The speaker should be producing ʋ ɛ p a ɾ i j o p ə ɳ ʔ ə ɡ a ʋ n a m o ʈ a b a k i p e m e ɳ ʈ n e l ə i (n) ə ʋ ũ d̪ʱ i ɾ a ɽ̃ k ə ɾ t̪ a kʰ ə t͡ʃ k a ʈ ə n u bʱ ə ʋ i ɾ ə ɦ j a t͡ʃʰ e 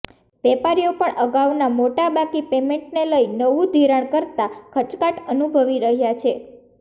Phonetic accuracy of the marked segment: correct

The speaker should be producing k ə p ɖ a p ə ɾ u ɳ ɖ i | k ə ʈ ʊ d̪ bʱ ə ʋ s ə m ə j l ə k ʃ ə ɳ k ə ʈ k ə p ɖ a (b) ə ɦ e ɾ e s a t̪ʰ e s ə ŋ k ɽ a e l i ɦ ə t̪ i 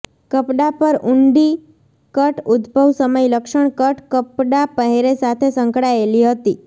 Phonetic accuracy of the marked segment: incorrect: p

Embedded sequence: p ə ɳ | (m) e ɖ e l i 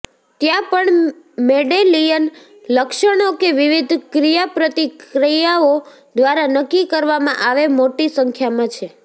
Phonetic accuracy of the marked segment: correct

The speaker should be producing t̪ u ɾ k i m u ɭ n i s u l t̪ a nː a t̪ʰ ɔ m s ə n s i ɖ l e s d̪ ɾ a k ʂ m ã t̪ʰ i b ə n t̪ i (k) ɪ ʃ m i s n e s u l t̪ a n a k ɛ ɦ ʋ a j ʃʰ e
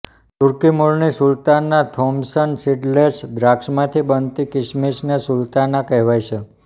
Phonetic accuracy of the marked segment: correct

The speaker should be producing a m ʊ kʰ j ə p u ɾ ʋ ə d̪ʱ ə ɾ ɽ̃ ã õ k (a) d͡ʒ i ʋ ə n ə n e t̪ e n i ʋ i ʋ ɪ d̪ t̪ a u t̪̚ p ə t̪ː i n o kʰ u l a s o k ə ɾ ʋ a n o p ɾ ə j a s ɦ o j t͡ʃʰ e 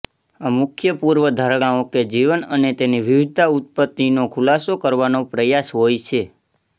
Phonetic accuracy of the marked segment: incorrect: e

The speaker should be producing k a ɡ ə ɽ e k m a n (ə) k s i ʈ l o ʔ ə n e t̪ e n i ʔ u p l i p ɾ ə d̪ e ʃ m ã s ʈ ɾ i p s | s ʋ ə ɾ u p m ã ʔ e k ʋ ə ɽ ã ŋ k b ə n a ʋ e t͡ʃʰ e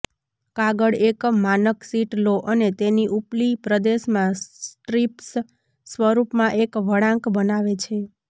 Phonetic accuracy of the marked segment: correct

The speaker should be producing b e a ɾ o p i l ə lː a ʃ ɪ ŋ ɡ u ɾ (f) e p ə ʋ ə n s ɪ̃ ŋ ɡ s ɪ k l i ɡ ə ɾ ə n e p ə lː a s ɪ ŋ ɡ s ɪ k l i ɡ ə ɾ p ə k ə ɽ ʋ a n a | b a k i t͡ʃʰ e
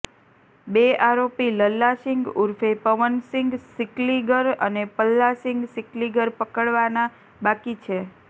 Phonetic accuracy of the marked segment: correct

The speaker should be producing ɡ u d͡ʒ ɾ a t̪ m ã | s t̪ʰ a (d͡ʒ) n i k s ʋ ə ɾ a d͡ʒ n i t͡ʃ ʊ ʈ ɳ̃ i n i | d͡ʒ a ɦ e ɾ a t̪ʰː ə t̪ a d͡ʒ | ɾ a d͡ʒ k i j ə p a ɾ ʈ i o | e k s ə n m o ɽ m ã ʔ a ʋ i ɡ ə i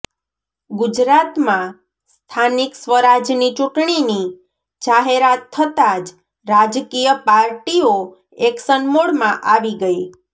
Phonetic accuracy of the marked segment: incorrect: none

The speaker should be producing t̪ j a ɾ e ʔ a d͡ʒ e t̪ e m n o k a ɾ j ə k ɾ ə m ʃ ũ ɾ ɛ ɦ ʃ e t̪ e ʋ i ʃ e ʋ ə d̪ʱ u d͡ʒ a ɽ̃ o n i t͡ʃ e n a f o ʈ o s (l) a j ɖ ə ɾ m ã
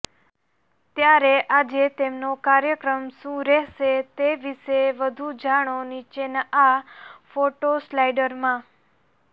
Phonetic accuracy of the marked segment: correct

